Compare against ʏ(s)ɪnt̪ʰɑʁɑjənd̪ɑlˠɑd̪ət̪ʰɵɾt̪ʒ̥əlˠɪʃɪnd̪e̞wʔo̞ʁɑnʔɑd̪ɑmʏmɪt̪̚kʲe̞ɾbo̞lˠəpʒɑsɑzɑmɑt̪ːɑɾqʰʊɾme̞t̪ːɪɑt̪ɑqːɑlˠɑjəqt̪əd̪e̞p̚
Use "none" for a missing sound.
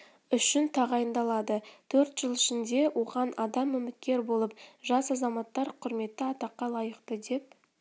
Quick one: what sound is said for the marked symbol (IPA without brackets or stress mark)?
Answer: ʃ